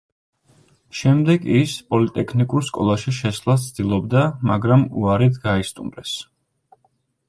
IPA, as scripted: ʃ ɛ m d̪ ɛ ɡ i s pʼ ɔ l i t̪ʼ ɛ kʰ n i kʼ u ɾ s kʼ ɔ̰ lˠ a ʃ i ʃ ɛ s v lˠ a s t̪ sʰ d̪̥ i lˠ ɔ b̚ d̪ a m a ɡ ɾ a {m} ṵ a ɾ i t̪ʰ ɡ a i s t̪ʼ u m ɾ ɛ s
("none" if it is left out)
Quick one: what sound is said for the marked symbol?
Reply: m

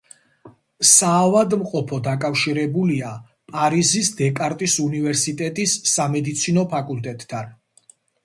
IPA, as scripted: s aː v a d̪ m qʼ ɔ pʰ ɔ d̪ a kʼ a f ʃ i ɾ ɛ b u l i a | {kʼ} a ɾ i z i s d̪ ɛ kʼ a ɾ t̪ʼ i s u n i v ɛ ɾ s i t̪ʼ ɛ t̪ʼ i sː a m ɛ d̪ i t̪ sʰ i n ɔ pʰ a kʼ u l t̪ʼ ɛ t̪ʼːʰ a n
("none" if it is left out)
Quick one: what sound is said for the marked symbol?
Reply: pʼ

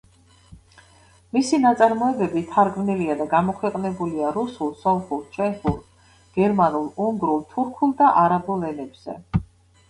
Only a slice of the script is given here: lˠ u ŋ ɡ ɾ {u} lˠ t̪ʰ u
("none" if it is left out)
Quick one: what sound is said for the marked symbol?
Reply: u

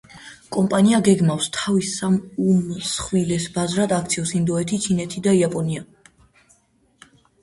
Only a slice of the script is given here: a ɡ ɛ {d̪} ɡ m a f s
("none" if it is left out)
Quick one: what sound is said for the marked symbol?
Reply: none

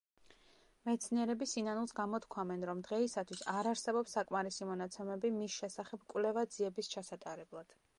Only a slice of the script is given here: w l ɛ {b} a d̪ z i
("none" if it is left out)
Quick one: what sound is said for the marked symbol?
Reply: v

